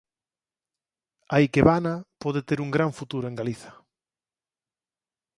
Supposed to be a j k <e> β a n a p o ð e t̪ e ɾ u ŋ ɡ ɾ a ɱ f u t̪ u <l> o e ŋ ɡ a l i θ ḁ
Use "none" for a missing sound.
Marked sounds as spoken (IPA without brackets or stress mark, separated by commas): e, ɾ